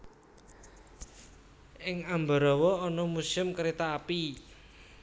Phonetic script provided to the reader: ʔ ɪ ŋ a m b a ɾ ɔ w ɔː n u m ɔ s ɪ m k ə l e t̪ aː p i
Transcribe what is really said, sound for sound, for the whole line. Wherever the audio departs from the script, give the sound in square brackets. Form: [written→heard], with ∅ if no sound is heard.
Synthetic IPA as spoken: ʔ ɪ ŋ a m b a ɾ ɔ w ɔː n [u→ɔ] m [ɔ→u] s ɪ m k ə [l→ɾ] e t̪ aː p i